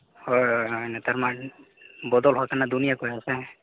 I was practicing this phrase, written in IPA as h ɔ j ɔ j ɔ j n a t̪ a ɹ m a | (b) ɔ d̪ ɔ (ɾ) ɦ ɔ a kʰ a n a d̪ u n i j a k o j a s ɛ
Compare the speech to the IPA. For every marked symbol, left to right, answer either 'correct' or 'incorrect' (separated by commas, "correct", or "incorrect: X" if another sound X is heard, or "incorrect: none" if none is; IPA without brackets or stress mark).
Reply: correct, incorrect: l